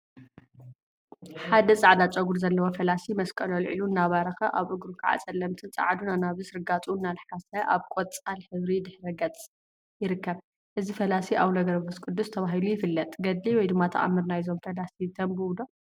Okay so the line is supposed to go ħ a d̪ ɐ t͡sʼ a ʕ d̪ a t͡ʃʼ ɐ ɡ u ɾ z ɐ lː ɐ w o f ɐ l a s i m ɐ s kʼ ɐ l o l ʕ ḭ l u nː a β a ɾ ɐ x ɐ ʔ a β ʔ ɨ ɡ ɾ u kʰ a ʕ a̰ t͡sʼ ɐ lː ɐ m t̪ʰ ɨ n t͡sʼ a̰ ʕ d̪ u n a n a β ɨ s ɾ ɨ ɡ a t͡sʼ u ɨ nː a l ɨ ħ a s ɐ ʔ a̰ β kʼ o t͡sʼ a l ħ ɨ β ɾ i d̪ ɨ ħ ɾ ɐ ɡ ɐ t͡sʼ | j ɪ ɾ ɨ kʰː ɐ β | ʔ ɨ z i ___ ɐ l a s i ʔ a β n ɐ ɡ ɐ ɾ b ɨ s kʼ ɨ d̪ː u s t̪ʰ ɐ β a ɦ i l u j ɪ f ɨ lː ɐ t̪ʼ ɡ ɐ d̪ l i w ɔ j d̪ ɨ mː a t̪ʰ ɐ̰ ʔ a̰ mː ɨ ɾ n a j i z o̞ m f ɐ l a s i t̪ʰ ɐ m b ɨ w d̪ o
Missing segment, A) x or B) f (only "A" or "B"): B